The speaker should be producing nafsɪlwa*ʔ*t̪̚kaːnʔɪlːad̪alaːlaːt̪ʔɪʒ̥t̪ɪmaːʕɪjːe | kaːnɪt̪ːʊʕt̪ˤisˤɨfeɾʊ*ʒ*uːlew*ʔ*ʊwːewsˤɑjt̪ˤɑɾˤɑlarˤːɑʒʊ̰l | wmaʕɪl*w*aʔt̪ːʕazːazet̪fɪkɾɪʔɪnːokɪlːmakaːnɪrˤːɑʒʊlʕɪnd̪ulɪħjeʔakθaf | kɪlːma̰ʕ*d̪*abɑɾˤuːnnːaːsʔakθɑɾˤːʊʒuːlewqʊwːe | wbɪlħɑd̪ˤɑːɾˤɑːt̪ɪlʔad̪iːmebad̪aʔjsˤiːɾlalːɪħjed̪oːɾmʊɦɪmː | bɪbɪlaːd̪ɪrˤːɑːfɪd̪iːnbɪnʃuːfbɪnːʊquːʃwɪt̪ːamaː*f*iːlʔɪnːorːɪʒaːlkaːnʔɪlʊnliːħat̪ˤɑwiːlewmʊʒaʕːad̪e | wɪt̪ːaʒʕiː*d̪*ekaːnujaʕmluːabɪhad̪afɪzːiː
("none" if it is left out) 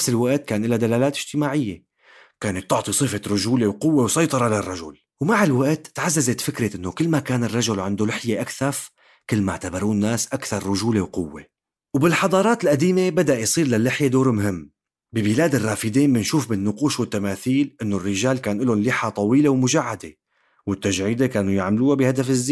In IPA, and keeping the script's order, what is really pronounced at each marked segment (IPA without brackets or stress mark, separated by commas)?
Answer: ʔ, ʒ, q, w, t̪, θ, d̪